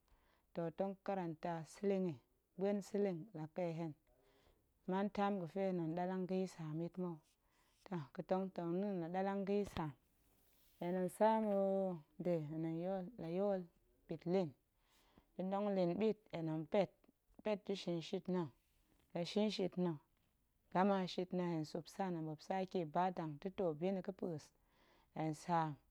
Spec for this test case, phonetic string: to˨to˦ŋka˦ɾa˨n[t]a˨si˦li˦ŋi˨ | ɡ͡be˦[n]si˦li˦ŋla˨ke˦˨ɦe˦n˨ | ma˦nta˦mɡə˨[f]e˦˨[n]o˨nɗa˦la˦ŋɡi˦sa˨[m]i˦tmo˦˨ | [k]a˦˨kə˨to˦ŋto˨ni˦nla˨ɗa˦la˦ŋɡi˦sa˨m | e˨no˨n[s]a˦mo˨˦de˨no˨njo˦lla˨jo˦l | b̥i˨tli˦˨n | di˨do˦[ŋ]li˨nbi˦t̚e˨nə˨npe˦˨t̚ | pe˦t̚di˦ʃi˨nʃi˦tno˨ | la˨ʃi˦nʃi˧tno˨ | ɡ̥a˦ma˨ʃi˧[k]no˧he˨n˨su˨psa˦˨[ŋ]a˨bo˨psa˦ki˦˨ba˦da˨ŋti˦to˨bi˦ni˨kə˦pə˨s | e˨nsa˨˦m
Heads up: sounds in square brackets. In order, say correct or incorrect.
correct, correct, correct, correct, correct, incorrect: t, correct, correct, incorrect: t, incorrect: n

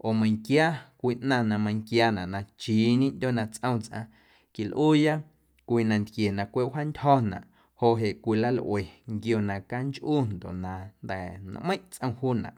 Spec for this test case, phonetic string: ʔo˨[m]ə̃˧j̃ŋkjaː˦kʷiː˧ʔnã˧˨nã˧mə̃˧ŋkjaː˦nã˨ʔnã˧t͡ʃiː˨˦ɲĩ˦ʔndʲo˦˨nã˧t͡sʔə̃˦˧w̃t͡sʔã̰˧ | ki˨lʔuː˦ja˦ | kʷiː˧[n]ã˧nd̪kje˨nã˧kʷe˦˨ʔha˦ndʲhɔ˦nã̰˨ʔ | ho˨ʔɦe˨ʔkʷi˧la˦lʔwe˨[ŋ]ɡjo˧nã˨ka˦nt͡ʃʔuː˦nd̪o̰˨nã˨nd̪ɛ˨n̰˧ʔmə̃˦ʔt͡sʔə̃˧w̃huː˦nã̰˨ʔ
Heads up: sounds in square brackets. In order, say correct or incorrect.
correct, correct, correct

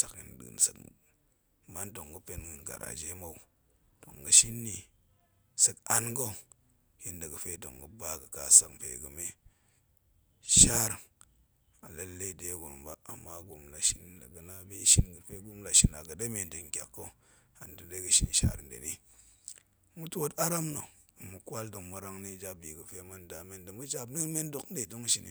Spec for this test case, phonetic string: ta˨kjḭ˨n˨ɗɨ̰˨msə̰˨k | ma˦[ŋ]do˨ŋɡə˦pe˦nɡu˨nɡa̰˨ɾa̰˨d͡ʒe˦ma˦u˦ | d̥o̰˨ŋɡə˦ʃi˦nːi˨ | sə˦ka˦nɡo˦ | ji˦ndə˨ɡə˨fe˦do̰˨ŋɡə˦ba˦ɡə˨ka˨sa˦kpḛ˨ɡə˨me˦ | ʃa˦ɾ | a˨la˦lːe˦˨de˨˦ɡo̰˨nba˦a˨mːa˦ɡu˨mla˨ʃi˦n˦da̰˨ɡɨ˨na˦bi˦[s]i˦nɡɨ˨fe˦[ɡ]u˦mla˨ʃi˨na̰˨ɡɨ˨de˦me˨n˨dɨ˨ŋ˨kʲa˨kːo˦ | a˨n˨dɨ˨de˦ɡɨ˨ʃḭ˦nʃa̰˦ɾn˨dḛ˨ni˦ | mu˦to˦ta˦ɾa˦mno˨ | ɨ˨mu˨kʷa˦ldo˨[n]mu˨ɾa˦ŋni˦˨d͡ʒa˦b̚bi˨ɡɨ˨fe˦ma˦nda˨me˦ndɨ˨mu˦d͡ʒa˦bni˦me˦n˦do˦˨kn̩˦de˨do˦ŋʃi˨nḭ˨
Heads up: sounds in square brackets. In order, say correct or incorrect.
incorrect: n, incorrect: ʃ, correct, incorrect: ŋ

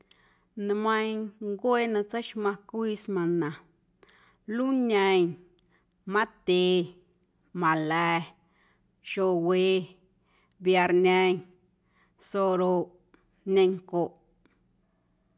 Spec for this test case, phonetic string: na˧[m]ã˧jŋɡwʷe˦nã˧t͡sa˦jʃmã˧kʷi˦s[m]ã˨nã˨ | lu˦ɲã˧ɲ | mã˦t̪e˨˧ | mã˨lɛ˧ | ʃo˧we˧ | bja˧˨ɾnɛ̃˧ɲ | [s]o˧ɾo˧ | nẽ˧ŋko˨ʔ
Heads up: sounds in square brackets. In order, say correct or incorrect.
correct, correct, correct

